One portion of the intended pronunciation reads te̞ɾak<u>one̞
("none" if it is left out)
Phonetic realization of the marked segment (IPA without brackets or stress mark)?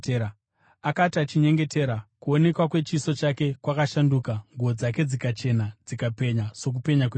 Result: u